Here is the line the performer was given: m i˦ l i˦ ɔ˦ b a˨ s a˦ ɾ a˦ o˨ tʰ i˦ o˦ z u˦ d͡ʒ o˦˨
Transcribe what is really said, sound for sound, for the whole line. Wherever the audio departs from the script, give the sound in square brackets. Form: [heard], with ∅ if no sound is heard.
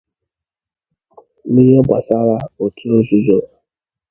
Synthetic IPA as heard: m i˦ [ɾ] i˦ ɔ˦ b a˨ s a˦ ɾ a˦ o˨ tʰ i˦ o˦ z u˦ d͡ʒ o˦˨